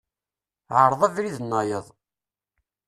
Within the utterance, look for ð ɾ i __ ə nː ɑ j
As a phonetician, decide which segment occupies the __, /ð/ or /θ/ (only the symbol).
ð